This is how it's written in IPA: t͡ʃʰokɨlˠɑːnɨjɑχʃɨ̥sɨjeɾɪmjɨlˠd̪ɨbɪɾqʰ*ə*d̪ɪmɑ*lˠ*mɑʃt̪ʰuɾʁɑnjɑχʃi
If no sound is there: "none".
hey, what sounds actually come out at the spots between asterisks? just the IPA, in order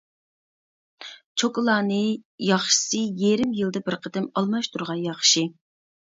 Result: ə, lˠ

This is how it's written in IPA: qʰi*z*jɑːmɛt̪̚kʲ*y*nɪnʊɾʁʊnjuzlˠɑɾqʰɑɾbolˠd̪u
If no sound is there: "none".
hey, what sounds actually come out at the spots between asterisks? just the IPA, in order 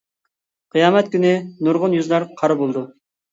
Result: none, y

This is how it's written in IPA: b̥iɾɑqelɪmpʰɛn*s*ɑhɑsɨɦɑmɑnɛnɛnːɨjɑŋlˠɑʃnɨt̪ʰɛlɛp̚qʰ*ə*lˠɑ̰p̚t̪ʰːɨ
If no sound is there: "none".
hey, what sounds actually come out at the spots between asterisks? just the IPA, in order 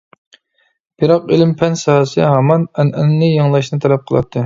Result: s, ə

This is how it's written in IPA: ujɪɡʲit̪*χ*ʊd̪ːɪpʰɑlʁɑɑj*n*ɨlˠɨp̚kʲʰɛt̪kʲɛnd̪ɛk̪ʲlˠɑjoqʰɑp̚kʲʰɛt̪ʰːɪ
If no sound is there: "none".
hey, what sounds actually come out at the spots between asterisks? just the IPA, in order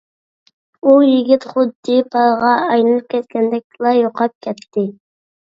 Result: χ, n

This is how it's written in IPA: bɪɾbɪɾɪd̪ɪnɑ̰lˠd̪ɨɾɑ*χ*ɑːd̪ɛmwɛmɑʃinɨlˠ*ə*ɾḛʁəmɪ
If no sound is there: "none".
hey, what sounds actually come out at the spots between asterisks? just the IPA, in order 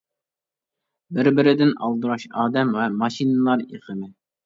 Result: ʃ, ɑ

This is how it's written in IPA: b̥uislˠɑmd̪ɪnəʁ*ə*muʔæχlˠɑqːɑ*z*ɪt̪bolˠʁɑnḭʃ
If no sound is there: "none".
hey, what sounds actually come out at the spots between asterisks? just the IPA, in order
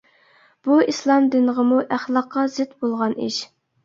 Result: ə, z

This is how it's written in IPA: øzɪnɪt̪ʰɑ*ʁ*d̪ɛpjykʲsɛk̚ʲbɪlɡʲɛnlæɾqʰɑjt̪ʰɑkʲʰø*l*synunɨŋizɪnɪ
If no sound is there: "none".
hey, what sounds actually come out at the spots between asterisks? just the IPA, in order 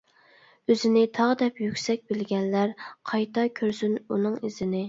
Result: ʁ, ɾ

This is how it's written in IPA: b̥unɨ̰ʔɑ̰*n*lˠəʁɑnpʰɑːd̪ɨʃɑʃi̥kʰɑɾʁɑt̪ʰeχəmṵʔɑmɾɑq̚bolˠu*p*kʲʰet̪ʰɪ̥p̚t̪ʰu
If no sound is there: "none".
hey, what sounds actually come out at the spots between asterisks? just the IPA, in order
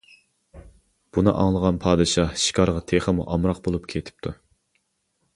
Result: ŋ, p

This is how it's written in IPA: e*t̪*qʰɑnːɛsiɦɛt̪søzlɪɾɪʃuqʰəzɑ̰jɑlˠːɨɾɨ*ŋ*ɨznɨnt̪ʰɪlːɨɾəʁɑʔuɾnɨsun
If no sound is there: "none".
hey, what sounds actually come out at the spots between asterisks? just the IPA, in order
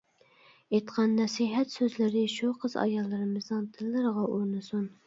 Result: t̪, m

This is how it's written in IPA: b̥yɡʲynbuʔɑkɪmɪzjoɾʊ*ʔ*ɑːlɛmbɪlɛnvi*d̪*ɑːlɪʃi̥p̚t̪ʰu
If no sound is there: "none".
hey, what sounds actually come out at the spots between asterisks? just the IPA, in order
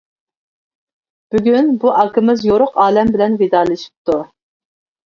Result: q, d̪

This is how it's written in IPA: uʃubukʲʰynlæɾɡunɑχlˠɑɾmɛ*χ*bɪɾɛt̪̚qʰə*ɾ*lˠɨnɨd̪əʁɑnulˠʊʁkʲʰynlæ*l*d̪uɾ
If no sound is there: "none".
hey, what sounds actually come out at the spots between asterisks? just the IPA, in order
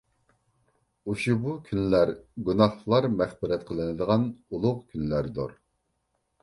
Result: χ, none, ɾ

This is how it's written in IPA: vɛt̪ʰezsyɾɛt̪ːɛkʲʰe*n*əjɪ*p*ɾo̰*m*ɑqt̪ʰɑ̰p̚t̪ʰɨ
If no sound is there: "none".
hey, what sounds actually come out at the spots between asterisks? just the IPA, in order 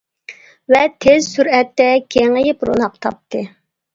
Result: ŋ, p, n

